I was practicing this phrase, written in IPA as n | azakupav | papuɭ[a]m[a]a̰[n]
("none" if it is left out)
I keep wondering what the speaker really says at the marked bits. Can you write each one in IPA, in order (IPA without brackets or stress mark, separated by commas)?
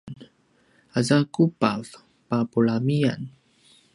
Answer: a, i, n